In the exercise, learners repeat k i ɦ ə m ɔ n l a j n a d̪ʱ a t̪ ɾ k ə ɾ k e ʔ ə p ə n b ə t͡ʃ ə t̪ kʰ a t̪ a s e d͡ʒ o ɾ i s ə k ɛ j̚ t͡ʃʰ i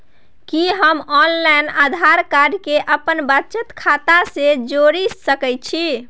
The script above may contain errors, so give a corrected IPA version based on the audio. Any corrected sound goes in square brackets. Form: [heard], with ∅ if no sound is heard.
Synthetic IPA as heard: k i ɦ ə m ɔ n l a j n a d̪ʱ a [∅] ɾ k [a] ɾ k e ʔ ə p ə n b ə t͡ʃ ə t̪ kʰ a t̪ a s e d͡ʒ o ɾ i s ə k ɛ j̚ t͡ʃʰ i